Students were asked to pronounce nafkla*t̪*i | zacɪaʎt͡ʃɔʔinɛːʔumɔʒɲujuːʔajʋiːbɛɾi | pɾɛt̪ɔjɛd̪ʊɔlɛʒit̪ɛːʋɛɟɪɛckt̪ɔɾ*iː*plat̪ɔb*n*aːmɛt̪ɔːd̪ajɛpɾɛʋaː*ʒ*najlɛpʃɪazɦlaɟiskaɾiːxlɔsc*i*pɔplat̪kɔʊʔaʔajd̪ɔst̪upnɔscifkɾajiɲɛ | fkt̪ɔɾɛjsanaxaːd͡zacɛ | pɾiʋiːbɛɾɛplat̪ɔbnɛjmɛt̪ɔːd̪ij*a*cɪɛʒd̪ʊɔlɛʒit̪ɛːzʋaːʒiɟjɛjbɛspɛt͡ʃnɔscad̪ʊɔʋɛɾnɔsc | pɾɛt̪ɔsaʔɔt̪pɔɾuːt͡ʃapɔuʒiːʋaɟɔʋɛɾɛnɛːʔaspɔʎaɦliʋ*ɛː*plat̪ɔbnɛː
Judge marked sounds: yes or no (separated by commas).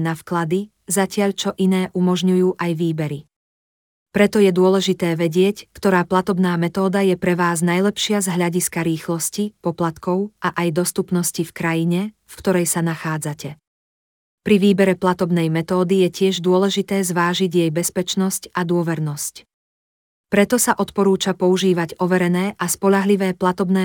no, no, yes, no, yes, no, yes